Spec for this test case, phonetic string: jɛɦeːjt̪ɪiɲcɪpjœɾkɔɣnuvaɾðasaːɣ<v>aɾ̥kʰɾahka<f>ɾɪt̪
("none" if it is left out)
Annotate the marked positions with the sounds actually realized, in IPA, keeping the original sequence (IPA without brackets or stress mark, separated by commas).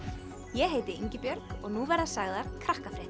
ð, f